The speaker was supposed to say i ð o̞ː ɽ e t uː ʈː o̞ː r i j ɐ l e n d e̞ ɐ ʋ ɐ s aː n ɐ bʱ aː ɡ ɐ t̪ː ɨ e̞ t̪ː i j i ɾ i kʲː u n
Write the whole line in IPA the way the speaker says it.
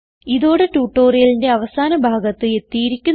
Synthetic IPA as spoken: i ð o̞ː ɽ e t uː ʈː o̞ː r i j ɐ l i n d e̞ ɐ ʋ ɐ s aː n ɐ bʱ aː ɡ ɐ t̪ː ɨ e̞ t̪ː i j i ɾ i kʲː u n